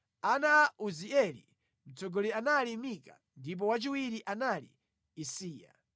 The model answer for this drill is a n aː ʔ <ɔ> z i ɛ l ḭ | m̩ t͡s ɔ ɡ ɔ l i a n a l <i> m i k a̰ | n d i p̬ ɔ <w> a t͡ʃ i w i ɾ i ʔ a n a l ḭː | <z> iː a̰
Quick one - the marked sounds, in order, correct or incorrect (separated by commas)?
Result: incorrect, correct, correct, incorrect